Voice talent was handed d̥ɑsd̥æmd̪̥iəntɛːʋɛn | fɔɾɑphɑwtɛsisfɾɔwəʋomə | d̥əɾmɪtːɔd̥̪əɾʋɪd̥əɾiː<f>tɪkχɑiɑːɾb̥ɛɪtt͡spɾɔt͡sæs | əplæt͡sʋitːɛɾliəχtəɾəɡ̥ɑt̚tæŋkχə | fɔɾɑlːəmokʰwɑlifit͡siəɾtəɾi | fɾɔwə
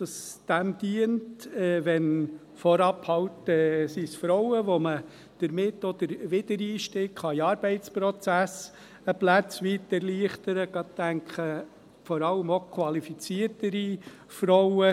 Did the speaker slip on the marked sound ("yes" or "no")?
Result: yes